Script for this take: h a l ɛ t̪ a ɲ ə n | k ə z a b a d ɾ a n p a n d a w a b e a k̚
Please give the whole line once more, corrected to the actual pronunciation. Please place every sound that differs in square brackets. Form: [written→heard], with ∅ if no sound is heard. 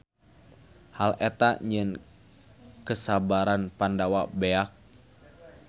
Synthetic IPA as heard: h a l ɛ t̪ a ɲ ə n | k ə [z→s] a b a [d→∅] ɾ a n p a n d a w a b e a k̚